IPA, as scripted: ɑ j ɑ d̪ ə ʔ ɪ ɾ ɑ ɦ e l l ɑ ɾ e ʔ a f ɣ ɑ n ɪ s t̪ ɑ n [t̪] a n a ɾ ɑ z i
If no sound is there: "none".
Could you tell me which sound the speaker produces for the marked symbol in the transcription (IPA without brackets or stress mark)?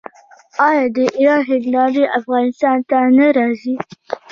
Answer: t̪